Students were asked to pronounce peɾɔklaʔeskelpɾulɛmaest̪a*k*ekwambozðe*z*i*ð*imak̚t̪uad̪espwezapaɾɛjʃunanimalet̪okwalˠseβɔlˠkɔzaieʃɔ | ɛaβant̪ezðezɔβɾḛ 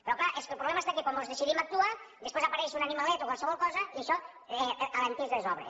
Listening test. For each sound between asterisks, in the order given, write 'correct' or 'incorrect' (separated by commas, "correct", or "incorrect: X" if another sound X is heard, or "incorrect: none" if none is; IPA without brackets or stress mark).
correct, incorrect: s, correct